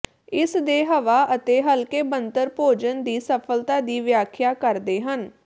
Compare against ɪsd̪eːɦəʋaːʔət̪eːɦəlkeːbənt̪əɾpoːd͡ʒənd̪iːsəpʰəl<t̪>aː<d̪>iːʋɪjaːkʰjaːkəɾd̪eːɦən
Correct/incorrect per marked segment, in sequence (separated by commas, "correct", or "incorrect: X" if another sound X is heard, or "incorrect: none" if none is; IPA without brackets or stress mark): correct, correct